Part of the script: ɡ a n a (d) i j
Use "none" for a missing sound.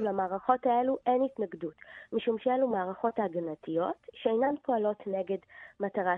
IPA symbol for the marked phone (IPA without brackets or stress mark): t